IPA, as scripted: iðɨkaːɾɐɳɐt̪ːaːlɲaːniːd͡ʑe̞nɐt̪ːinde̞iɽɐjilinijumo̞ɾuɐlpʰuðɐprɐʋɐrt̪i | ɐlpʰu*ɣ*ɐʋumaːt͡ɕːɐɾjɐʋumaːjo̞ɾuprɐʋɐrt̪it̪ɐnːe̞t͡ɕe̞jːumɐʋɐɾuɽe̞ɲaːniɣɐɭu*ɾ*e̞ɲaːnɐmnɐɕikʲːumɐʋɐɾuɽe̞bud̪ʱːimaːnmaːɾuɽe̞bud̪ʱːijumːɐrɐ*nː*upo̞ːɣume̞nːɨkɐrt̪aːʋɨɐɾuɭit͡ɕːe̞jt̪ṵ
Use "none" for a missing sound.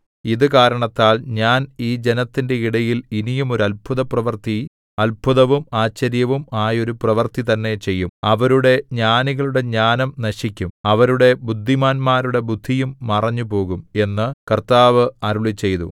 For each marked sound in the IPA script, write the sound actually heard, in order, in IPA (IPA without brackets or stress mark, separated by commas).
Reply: ð, ɽ, ɲː